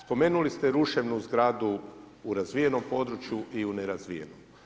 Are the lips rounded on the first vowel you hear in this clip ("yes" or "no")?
yes